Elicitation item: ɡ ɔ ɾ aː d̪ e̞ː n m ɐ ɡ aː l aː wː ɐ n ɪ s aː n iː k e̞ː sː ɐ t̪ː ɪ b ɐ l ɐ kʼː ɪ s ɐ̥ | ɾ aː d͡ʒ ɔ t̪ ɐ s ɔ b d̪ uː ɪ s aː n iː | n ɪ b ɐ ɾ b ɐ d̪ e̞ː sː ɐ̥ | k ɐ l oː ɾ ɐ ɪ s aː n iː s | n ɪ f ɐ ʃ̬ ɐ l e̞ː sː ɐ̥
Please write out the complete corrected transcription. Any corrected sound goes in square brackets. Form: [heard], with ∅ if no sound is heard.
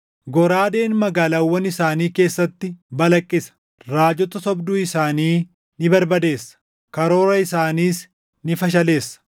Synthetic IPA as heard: ɡ ɔ ɾ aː d̪ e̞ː n m ɐ ɡ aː l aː wː ɐ n ɪ s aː n iː k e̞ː sː ɐ t̪ː ɪ b ɐ l ɐ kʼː ɪ s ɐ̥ | ɾ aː d͡ʒ ɔ t̪ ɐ s ɔ b d̪ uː ɪ s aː n iː | n ɪ b ɐ ɾ b ɐ d̪ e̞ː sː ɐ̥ | k ɐ [ɾ] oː ɾ ɐ ɪ s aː n iː s | n ɪ f ɐ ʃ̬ ɐ l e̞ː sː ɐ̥